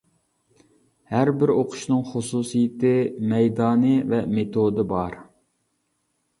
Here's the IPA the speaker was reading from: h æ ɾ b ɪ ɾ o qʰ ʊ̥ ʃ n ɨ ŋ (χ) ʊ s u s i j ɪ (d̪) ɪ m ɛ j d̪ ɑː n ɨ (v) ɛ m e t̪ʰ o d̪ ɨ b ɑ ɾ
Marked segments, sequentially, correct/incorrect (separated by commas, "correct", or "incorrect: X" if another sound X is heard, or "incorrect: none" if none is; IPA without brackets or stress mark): correct, incorrect: t̪, correct